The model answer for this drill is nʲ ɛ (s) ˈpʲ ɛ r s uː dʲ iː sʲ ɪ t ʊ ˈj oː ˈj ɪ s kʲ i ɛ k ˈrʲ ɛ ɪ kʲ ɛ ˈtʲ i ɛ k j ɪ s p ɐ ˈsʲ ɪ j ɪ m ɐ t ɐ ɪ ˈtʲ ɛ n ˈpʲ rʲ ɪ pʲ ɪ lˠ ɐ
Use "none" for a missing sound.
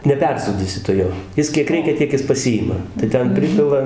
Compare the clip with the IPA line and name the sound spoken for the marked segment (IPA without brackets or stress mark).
none